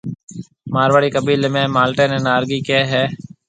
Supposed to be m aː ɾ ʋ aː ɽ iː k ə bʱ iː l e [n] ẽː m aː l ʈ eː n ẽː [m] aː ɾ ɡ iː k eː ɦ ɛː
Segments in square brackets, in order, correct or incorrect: incorrect: m, incorrect: n

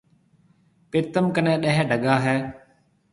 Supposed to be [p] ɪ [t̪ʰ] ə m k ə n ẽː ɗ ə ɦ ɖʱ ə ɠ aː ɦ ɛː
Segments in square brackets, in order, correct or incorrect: correct, incorrect: t̪

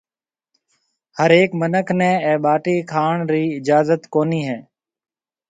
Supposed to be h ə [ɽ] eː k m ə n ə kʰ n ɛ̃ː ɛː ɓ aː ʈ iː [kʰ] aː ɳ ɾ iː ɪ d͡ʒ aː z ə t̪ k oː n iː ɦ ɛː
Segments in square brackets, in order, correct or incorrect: incorrect: ɾ, correct

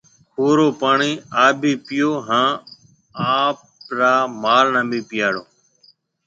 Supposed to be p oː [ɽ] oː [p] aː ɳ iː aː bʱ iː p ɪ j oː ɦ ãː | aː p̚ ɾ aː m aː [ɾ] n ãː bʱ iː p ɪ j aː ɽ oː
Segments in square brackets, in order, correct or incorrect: incorrect: ɾ, correct, incorrect: l

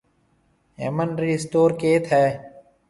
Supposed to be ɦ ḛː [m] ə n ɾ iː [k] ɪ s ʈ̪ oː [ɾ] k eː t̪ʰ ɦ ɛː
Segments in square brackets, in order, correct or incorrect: correct, incorrect: none, correct

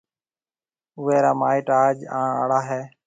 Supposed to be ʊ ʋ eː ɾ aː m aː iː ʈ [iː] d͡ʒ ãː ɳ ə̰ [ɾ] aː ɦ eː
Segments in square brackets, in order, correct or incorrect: incorrect: aː, incorrect: ɽ

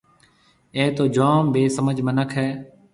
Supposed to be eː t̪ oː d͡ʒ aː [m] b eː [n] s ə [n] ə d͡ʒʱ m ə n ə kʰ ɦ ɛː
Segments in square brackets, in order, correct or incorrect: correct, incorrect: none, incorrect: m

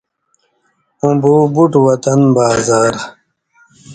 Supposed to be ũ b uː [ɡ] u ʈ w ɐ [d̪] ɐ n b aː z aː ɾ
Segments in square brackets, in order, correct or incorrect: incorrect: b, incorrect: t̪

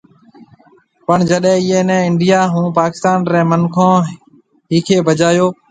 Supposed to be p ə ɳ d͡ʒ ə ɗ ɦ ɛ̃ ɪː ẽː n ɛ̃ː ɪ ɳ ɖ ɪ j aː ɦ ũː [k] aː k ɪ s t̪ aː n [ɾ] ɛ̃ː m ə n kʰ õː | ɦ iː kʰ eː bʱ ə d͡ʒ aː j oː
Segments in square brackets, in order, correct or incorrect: incorrect: p, correct

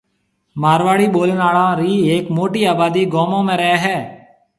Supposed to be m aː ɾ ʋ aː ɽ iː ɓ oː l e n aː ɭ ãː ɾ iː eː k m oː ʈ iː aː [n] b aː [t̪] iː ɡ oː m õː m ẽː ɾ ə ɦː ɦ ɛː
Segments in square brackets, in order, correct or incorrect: incorrect: none, incorrect: d̪

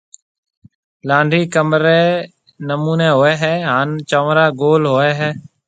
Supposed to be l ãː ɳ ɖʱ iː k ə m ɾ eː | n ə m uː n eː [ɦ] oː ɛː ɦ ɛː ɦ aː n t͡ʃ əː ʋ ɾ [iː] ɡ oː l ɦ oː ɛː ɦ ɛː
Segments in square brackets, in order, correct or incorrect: correct, incorrect: aː

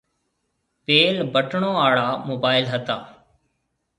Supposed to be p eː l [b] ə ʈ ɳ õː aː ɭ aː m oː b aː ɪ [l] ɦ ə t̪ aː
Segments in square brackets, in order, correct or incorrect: correct, correct

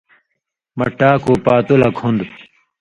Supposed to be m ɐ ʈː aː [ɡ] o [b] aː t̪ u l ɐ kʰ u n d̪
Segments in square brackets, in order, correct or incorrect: incorrect: k, incorrect: p

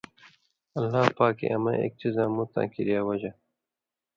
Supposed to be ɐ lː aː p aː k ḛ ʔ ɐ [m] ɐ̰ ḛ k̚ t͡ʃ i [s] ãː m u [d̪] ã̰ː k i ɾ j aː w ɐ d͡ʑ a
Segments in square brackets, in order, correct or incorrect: correct, incorrect: z, incorrect: t̪

